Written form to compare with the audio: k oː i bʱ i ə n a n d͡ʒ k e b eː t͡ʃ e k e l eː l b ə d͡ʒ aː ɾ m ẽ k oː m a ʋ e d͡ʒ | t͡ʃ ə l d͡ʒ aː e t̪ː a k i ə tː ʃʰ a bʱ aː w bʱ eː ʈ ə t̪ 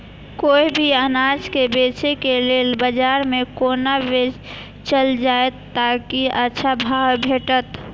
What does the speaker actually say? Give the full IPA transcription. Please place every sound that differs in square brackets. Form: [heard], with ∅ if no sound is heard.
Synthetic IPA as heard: k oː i bʱ i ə n a [∅] d͡ʒ k e b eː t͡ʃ e k e l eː l b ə d͡ʒ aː ɾ m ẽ k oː [n] a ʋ e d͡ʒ | t͡ʃ ə l d͡ʒ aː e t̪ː a k i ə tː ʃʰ a bʱ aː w bʱ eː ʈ ə t̪